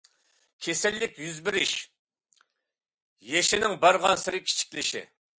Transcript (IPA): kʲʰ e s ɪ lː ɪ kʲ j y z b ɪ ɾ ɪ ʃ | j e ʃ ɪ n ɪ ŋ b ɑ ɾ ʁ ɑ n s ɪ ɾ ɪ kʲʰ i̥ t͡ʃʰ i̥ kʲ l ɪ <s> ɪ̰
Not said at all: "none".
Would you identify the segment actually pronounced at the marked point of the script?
ʃ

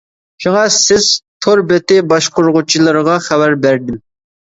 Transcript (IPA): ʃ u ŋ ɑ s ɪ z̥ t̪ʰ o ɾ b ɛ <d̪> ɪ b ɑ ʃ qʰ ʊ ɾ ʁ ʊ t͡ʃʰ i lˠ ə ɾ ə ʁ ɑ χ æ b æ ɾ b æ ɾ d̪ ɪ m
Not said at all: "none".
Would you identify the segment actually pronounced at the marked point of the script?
t̪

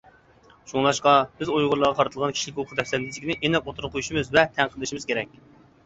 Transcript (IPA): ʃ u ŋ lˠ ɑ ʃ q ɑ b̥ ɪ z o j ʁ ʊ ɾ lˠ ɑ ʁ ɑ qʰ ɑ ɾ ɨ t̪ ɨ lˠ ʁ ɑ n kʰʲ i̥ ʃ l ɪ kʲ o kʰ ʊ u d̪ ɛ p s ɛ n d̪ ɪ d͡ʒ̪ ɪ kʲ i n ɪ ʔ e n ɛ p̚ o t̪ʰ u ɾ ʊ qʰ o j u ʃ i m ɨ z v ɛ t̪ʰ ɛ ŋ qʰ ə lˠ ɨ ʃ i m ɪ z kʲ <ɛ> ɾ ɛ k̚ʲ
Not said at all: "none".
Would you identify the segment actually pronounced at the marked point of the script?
e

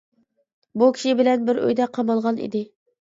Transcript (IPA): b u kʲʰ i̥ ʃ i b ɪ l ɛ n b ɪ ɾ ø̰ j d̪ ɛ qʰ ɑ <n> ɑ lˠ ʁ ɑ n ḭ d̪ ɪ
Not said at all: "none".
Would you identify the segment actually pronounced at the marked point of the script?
m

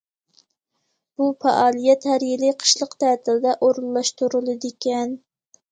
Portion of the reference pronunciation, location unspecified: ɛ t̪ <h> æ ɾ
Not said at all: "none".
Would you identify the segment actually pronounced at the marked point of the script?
h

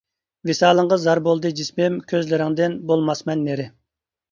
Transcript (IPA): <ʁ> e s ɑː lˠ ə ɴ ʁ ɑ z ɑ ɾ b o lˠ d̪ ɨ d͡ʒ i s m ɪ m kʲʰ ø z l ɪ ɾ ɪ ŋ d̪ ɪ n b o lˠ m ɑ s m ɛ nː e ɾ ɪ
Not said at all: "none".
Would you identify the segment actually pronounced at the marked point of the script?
v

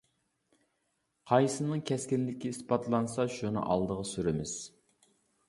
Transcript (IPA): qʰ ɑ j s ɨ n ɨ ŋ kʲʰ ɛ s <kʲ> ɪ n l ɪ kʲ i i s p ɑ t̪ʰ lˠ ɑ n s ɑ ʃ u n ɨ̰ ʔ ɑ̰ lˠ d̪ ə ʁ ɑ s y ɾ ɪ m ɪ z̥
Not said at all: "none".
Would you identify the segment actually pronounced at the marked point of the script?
kʲ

